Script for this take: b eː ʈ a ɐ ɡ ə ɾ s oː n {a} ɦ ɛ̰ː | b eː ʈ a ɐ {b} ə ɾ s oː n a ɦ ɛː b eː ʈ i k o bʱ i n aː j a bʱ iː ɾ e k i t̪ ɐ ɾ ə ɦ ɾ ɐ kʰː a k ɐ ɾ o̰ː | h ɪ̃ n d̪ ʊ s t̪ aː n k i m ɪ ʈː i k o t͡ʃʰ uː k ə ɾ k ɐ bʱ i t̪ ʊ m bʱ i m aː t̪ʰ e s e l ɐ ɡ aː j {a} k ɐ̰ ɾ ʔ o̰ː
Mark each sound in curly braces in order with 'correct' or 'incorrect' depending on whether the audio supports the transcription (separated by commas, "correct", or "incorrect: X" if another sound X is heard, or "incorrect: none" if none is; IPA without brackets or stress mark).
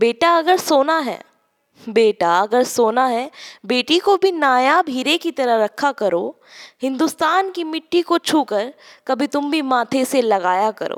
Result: correct, incorrect: ɡ, correct